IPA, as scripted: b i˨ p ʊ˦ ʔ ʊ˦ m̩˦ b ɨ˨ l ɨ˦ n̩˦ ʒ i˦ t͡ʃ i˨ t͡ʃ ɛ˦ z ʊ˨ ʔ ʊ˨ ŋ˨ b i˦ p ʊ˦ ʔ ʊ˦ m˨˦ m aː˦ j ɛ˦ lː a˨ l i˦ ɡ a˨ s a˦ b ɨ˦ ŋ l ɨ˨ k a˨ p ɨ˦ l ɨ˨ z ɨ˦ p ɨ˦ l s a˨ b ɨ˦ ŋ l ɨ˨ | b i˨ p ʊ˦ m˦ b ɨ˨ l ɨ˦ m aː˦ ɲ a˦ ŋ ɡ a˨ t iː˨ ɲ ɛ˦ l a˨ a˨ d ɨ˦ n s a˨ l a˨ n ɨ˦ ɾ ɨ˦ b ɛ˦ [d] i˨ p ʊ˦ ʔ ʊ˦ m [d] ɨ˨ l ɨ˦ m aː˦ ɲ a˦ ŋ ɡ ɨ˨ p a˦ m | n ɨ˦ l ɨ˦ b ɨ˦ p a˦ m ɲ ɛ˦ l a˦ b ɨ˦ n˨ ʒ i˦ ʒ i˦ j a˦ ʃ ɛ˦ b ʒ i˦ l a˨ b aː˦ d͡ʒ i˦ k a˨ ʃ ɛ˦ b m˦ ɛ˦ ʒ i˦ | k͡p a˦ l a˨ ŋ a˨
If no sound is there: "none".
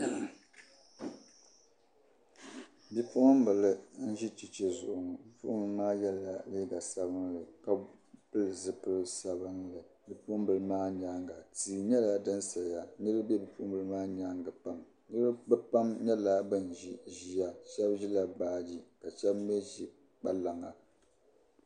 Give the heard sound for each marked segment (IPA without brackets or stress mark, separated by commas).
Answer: b, b